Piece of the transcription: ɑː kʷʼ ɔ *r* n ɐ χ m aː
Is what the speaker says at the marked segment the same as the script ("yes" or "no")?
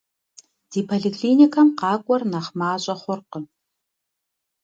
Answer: yes